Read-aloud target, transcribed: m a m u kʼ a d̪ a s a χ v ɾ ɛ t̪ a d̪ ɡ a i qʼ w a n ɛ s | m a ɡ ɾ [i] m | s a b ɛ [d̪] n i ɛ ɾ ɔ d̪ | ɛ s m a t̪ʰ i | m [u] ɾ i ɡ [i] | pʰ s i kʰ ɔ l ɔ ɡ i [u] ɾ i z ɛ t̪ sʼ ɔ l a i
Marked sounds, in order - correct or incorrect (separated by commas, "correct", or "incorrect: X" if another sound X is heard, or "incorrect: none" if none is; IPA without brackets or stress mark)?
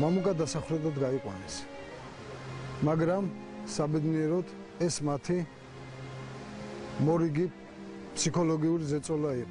incorrect: a, correct, incorrect: ɔ, correct, correct